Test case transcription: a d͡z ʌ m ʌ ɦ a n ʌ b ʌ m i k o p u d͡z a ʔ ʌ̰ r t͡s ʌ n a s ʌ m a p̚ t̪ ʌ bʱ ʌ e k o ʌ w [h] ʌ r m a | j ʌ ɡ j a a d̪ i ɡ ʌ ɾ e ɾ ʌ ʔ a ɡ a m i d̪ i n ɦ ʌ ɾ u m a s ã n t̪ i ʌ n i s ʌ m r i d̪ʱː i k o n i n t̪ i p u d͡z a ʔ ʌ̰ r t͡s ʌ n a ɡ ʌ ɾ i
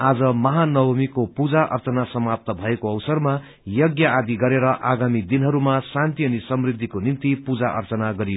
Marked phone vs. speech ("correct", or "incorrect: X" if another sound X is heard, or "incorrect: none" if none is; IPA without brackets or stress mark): incorrect: s